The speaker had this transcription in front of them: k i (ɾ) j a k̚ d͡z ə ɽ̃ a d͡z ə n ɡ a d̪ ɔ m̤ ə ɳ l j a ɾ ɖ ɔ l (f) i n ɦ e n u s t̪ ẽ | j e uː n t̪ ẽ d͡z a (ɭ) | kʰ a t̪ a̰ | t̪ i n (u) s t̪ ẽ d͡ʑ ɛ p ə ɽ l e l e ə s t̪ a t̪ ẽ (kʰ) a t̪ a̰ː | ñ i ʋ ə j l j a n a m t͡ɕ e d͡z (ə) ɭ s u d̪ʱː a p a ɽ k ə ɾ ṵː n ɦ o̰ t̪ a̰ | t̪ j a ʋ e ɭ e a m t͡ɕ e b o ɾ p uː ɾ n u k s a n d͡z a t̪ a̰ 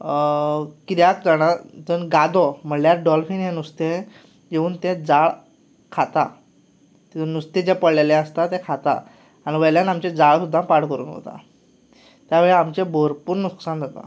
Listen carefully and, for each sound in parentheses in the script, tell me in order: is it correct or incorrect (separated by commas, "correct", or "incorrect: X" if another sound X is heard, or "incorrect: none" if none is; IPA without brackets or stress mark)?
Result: correct, correct, correct, correct, correct, incorrect: a